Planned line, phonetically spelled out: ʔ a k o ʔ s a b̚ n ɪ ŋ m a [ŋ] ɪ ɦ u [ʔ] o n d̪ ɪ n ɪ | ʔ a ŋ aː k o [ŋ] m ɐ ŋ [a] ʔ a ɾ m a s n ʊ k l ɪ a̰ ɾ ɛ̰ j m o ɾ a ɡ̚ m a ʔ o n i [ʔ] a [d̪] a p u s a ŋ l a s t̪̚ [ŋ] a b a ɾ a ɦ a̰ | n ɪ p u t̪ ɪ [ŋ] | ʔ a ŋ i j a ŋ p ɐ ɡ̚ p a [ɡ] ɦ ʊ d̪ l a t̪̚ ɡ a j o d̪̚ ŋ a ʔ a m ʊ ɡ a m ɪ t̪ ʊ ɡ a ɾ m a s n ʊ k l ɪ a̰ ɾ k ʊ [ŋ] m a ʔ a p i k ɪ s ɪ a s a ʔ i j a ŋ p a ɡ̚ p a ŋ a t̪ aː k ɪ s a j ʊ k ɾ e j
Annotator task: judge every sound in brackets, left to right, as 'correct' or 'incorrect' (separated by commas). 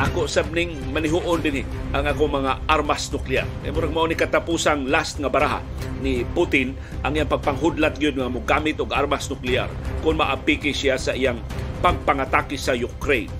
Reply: incorrect, correct, correct, correct, incorrect, incorrect, correct, incorrect, incorrect, incorrect